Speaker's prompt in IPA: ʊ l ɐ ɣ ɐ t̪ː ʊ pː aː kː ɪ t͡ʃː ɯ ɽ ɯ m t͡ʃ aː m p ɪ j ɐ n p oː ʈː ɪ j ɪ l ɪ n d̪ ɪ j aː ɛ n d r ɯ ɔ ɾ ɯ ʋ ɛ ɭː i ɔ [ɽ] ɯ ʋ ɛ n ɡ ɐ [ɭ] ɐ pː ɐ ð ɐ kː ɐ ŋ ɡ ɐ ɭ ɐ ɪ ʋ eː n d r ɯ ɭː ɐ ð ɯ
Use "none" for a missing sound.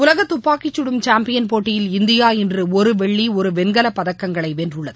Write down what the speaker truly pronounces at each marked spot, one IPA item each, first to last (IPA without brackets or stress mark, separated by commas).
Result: ɾ, l